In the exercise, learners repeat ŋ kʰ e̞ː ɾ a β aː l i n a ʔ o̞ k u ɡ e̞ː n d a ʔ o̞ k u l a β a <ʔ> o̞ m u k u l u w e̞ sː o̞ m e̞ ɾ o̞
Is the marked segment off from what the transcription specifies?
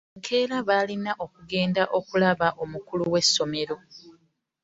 no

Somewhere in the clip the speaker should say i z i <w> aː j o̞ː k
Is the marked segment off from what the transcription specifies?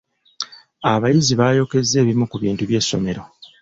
yes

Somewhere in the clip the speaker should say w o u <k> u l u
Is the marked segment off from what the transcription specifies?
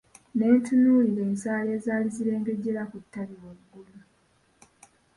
yes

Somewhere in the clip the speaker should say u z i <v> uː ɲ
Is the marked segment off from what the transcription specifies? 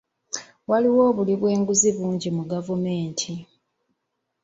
yes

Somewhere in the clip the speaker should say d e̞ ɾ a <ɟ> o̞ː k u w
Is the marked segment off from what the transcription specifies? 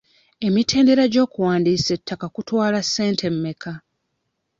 no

